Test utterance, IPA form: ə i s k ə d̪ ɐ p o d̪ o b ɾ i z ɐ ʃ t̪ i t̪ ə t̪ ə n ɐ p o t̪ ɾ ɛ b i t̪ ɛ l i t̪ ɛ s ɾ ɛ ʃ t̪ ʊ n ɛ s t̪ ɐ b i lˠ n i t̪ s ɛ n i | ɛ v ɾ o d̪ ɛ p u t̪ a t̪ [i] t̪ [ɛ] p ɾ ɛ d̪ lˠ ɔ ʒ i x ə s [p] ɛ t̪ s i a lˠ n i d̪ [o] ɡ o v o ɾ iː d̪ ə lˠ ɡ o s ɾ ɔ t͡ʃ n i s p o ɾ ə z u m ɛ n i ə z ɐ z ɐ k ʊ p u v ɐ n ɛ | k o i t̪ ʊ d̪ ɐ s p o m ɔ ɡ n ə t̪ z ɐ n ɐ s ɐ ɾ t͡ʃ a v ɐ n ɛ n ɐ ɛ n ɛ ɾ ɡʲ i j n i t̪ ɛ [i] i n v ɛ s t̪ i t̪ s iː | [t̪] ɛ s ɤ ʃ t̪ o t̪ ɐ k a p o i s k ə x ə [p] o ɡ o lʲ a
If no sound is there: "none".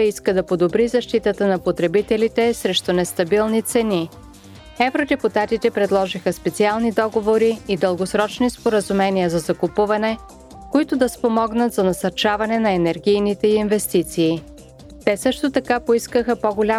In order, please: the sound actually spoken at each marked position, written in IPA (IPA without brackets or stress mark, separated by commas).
i, ɛ, p, ɔ, i, t̪, p